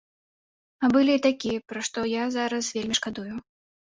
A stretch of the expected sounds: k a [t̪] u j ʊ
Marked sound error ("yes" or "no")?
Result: yes